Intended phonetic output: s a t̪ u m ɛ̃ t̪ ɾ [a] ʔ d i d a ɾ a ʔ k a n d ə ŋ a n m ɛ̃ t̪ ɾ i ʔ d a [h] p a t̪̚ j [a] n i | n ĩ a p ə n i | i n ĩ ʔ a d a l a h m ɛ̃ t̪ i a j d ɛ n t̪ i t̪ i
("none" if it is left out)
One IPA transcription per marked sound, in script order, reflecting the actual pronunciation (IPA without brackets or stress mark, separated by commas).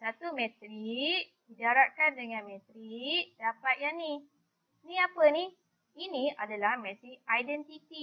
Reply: i, none, a